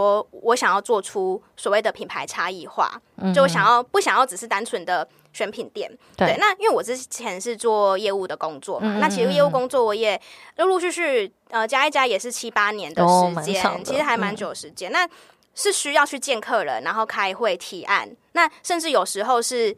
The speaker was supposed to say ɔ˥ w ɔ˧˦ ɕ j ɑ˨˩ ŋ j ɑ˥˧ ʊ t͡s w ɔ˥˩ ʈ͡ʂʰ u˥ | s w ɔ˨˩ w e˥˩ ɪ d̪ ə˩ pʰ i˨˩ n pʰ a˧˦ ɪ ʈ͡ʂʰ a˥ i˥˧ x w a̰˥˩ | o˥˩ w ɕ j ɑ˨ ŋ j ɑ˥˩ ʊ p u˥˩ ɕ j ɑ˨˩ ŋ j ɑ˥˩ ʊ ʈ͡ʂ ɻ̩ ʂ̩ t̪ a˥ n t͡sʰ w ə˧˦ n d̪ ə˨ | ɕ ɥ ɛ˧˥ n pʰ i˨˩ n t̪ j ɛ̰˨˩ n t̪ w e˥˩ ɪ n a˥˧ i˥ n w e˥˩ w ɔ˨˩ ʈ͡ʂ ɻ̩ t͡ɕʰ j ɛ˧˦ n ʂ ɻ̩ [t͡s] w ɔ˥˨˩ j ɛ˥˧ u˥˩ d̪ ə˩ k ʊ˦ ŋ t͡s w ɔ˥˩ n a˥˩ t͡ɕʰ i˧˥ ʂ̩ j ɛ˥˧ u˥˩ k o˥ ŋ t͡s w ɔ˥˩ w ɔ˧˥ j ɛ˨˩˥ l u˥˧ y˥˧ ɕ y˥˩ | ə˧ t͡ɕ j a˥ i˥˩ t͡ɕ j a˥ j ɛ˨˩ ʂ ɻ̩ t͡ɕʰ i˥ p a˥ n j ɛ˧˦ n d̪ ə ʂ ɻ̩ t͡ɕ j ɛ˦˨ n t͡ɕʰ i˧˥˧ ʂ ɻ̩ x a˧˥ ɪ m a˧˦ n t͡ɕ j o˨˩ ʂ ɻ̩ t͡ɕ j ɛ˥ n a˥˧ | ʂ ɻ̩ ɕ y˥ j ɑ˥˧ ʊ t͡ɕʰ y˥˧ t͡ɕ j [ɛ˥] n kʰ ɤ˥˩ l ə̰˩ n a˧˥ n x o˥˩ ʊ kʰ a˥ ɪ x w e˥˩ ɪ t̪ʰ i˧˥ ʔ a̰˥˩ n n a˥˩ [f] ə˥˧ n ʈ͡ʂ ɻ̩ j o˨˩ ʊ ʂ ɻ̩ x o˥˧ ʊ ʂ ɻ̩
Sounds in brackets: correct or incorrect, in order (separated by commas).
correct, incorrect, incorrect